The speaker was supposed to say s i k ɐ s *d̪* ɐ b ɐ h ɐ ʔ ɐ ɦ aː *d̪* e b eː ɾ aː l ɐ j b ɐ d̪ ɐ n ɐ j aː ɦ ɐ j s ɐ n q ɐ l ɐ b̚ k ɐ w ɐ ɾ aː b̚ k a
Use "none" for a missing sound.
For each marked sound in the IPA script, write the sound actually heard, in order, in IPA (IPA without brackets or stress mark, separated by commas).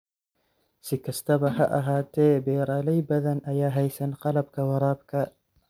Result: t̪, t̪